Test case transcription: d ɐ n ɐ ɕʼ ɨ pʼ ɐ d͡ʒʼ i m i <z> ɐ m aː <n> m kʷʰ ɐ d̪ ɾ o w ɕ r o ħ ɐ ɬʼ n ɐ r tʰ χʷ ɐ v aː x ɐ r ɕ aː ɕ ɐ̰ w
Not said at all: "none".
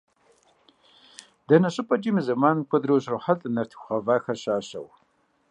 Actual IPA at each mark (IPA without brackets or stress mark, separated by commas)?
z, n